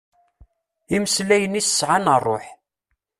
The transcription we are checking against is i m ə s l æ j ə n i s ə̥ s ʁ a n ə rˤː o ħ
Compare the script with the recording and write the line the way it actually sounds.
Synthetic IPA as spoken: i m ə s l æ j ə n i s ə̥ s ʕ a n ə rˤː o ħ